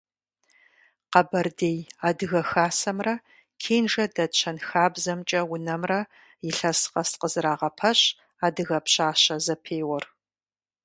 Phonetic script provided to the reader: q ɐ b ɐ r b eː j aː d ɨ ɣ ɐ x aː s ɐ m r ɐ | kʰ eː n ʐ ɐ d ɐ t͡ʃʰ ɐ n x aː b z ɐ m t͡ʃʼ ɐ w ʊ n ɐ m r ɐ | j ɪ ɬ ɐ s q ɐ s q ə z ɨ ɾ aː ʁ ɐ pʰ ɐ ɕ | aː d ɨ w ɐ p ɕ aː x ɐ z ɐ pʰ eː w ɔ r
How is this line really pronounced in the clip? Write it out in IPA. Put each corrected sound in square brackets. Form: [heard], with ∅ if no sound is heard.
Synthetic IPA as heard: q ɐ b ɐ r [d] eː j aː d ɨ ɣ ɐ x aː s ɐ m r ɐ | kʰ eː n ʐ ɐ d ɐ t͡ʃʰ ɐ n x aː b z ɐ m t͡ʃʼ ɐ w ʊ n ɐ m r ɐ | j ɪ ɬ ɐ s q ɐ s q ə z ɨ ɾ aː ʁ ɐ pʰ ɐ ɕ | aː d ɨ [ɣ] ɐ p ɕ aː [ɕ] ɐ z ɐ pʰ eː w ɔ r